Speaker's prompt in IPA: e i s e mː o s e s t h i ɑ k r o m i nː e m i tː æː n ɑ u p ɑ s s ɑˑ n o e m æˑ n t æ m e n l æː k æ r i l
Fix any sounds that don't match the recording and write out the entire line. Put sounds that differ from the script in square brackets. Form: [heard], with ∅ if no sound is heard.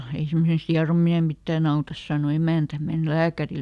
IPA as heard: e i s e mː o s e s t h i ɑ [∅] r o m i [n] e m i tː æː n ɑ u [t] ɑ s s ɑˑ n o e m æˑ n t æ m e n l æː k æ r i l

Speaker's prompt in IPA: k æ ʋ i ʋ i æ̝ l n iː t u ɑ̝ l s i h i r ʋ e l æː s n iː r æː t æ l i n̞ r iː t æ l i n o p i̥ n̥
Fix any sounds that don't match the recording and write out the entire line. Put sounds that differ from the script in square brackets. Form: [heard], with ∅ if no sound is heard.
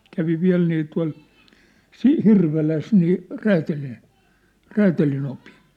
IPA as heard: k æ ʋ i ʋ i æ̝ l n iː t u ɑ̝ l s i h i r ʋ e l [æ] s n iː r æː t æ l i n̞ r [æː] t æ l i n o p i̥ n̥

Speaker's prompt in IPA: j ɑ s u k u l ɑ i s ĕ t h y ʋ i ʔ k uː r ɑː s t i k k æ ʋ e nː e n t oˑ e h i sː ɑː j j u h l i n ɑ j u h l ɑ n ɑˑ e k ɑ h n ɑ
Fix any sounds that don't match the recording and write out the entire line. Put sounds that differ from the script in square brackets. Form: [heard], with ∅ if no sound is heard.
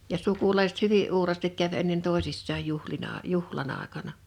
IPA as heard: j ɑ s u k u l ɑ i s ĕ t h y ʋ i ʔ [ʔ] uː r ɑː s t i k k æ ʋ e nː e n t oˑ e [s] i sː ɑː j j u h l i n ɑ j u h l ɑ n ɑˑ e k ɑ [∅] n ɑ

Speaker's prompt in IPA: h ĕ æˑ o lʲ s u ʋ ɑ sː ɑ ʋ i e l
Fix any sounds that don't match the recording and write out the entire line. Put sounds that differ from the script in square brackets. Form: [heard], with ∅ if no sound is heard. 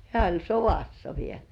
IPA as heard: h ĕ æˑ o lʲ s [o] ʋ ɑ sː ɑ ʋ i e l

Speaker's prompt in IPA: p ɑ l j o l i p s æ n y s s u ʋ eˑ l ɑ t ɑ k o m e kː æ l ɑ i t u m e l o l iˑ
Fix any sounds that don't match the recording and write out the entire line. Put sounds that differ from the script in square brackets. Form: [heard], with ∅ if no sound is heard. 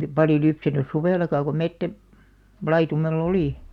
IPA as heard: p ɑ l j o l [y] p s æ n y s s u ʋ eˑ l ɑ [k] ɑ k o m e [tː] æ l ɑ i t u m e [lː] o l iˑ

